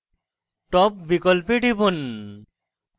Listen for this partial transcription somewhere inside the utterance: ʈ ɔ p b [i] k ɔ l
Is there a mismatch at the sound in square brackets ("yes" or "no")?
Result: no